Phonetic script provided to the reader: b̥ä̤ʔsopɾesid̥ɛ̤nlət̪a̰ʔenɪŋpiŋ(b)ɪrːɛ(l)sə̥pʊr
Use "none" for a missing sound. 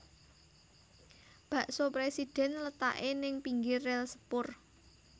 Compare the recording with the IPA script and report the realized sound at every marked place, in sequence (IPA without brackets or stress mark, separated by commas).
ɡ, l